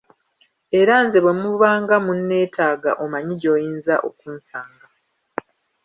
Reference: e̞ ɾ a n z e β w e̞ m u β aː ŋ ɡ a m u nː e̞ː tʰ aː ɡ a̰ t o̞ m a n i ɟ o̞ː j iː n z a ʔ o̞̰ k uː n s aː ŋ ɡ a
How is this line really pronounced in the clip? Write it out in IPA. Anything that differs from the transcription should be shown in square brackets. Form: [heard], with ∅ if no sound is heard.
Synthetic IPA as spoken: e̞ ɾ a n z e β w e̞ m u β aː ŋ ɡ a m u nː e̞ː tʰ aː ɡ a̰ [ʔ] o̞ m a [ɲ] i ɟ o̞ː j iː n z a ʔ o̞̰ k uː n s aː ŋ ɡ a